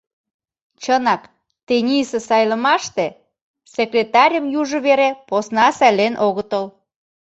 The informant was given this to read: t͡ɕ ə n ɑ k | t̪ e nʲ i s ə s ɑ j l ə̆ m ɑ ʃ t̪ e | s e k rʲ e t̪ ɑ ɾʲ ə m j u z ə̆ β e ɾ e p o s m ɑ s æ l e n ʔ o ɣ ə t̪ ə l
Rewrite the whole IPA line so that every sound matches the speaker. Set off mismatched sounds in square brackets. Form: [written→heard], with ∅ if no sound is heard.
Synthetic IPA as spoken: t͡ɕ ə n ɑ k | t̪ e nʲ i s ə s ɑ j l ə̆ m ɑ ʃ t̪ e | s e k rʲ e t̪ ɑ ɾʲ ə m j u [z→ʒ] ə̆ β e ɾ e p o s [m→n] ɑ s æ l e n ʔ o ɣ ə t̪ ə l